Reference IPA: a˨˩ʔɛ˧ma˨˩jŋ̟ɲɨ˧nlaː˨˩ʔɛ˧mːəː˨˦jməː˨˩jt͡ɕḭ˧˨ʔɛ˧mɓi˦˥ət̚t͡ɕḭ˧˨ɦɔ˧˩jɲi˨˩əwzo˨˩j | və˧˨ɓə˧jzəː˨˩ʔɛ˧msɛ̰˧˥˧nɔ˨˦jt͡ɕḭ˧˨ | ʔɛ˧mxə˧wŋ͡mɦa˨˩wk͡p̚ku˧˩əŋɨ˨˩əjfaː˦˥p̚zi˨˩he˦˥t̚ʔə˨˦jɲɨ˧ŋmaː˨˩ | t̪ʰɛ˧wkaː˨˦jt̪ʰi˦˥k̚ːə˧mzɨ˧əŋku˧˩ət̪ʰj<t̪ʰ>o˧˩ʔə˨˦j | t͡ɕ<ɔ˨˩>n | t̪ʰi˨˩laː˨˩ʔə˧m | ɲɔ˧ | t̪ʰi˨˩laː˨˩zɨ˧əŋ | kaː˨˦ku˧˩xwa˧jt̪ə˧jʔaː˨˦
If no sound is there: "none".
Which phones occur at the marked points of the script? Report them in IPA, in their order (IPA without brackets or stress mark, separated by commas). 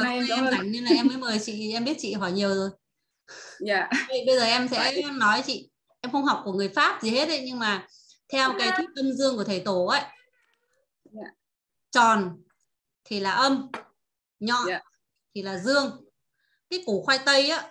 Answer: t̪, ɔ˨˩